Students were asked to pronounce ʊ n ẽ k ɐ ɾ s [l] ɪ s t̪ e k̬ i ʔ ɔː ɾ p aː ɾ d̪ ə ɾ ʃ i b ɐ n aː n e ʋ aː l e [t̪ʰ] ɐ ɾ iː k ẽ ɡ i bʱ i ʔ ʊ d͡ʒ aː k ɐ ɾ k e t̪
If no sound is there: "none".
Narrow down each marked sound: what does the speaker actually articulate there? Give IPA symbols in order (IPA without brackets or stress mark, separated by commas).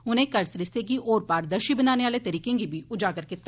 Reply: ɾ, t̪